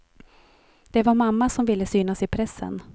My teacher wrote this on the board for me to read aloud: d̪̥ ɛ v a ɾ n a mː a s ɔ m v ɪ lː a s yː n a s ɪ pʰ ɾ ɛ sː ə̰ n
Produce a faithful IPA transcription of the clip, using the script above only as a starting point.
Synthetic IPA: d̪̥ ɛ v a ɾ m a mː a s ɔ m v ɪ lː ə s yː n a s ɪ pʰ ɾ ɛ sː ə̰ n